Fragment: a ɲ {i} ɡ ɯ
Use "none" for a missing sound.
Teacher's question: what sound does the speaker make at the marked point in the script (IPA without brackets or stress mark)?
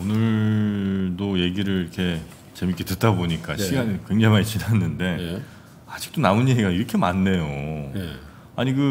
i